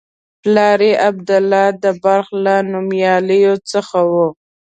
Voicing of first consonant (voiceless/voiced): voiceless